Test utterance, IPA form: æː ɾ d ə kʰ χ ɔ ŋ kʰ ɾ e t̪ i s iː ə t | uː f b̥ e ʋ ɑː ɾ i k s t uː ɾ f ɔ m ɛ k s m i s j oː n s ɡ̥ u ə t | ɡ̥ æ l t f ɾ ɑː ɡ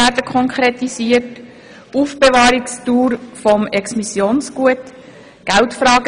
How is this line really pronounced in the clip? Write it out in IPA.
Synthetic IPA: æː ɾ d ə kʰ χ ɔ ŋ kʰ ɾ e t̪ i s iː ə t | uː f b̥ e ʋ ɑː ɾ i k s t uː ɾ f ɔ m ɛ k s m i s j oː n s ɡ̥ u ə t | ɡ̥ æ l t f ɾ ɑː ɡ